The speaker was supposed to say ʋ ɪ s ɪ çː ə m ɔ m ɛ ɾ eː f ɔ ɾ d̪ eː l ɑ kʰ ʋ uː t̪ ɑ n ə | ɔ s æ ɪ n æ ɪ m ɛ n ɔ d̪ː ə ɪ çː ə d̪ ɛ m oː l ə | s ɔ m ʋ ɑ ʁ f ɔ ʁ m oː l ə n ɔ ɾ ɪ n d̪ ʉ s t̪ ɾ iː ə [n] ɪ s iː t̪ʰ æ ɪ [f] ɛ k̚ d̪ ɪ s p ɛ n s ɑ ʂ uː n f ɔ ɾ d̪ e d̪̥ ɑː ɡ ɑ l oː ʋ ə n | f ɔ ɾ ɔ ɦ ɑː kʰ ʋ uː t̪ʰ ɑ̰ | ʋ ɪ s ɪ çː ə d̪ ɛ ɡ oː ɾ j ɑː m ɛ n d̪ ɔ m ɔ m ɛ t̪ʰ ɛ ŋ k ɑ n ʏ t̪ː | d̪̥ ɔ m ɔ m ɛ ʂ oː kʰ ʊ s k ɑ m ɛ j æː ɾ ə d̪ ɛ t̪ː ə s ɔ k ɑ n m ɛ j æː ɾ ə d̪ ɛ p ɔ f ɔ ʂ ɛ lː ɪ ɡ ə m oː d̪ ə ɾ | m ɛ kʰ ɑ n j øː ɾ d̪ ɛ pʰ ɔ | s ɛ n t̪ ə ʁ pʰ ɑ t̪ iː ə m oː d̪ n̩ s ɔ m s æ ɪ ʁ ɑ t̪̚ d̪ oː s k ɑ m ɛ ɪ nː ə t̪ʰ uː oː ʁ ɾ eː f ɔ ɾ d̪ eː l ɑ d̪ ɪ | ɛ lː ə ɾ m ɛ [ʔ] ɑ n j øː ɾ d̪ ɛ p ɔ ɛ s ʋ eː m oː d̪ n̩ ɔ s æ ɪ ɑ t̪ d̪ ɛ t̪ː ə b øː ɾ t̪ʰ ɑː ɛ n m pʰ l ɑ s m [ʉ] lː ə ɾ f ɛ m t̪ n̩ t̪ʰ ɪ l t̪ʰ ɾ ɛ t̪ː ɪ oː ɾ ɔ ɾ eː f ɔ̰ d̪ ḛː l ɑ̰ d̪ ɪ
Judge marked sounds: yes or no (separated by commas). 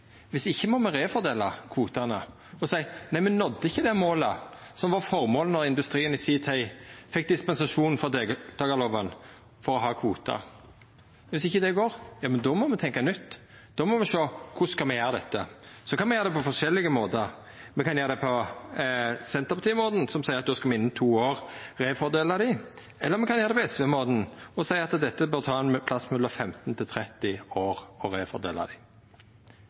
yes, yes, no, yes